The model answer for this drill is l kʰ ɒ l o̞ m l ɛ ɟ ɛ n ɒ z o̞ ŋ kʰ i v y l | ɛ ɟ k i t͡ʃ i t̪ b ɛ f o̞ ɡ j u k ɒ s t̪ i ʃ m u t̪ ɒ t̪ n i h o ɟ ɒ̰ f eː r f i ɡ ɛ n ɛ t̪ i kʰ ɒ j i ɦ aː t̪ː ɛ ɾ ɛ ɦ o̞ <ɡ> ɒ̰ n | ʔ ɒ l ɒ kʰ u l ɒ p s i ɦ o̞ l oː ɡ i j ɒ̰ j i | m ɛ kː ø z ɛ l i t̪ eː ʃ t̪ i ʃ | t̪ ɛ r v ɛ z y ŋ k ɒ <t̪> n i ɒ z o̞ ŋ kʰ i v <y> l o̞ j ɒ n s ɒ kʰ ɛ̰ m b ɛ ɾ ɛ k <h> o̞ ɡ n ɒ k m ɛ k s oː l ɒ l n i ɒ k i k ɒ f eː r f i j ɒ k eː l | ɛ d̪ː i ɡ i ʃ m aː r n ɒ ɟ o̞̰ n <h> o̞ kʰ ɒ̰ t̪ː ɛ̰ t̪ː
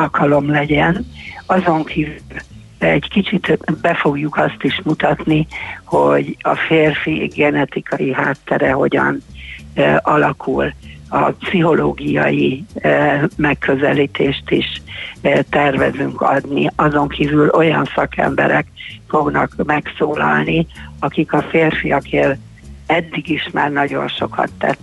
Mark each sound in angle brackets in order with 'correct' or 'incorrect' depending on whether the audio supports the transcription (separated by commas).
incorrect, incorrect, correct, incorrect, incorrect